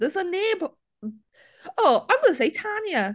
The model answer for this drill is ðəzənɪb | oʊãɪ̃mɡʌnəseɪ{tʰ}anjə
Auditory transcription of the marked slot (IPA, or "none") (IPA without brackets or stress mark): tʰ